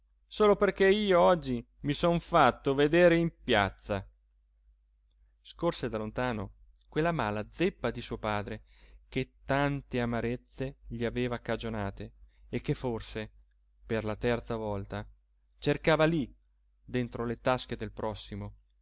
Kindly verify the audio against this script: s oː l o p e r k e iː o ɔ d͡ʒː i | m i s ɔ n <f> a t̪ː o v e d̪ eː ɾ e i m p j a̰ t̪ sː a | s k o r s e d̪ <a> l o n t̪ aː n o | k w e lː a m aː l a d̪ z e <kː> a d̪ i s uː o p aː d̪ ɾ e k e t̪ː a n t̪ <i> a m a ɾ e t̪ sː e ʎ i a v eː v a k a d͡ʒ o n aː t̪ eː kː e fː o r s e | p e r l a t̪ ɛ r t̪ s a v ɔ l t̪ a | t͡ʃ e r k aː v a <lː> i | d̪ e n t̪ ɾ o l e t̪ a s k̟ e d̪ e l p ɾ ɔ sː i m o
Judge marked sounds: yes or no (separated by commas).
yes, yes, no, no, no